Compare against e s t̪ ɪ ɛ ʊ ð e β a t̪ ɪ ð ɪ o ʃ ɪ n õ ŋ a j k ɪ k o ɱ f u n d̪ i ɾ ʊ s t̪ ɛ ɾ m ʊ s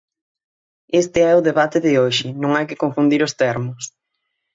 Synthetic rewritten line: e s t̪ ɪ ɛ ʊ ð e β a t̪ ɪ ð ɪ o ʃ ɪ n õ ŋ a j k ɪ k o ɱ f u n d̪ i ɾ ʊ s t̪ ɛ ɾ m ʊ s